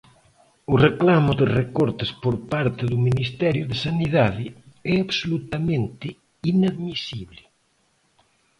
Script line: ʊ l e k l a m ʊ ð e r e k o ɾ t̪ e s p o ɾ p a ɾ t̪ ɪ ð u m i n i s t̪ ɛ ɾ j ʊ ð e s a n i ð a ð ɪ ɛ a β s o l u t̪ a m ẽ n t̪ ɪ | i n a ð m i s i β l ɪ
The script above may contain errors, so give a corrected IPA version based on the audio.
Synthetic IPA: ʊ r e k l a m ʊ ð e r e k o ɾ t̪ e s p o ɾ p a ɾ t̪ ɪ ð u m i n i s t̪ ɛ ɾ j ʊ ð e s a n i ð a ð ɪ ɛ a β s o l u t̪ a m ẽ n t̪ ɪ | i n a ð m i s i β l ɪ